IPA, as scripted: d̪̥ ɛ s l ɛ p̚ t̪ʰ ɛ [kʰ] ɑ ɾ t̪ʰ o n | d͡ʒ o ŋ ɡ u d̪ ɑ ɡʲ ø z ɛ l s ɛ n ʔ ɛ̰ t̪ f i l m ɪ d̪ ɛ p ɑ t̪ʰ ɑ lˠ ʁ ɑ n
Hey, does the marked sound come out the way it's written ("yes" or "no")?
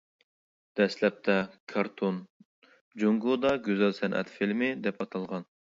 yes